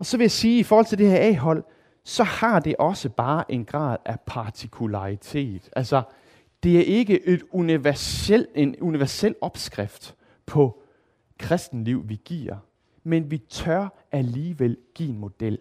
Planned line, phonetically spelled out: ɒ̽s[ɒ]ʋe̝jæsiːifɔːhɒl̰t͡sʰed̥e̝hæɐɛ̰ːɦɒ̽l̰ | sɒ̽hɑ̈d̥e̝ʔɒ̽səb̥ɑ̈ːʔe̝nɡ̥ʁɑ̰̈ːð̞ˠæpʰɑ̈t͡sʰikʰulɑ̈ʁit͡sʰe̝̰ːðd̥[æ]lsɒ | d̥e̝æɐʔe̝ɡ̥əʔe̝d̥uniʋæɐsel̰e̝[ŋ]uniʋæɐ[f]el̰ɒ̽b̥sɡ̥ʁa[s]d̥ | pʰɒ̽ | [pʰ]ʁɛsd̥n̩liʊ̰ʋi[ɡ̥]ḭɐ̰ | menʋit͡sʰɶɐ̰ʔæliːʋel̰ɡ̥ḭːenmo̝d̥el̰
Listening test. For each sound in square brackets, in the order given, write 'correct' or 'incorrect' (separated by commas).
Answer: correct, correct, incorrect, incorrect, incorrect, incorrect, correct